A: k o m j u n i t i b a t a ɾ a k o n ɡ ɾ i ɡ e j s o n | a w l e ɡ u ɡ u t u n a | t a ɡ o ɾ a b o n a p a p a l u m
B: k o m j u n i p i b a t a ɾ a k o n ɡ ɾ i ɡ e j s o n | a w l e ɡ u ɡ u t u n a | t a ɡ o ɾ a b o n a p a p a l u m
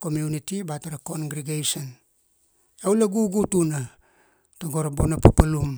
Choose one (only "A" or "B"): A